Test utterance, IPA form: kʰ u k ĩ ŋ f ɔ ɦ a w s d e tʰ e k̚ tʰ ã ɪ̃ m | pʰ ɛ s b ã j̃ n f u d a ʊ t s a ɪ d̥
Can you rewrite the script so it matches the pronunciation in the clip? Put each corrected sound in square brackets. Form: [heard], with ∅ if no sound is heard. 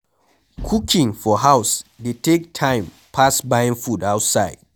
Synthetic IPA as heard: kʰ u k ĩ ŋ f ɔ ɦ a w s d e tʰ e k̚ tʰ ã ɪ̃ m | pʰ [a] s b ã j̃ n f u d a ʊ t s a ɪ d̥